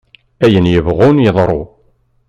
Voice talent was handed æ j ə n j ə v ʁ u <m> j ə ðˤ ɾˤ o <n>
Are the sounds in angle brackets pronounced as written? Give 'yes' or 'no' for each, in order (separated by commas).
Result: no, no